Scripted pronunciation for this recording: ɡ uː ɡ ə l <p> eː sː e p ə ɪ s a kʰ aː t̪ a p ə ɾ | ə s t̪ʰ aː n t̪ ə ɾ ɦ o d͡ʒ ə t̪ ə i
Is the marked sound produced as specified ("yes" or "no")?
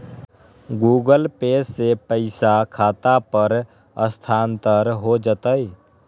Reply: yes